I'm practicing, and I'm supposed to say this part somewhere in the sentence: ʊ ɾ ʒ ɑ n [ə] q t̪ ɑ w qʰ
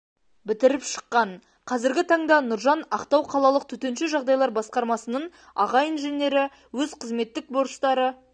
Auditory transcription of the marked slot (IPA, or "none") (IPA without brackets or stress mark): ɑ